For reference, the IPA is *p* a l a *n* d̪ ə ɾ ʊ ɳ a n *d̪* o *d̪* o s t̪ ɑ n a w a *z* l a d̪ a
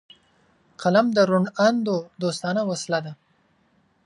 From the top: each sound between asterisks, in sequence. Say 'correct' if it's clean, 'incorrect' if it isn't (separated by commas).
incorrect, incorrect, correct, correct, incorrect